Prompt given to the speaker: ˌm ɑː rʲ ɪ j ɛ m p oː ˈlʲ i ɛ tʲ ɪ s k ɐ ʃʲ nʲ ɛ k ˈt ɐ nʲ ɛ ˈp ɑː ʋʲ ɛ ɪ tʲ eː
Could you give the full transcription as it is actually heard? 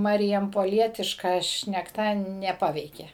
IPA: ˌm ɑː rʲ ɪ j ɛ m p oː ˈlʲ i ɛ tʲ ɪ ʃ k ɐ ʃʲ nʲ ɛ k ˈt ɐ nʲ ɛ ˈp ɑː ʋʲ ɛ ɪ kʲ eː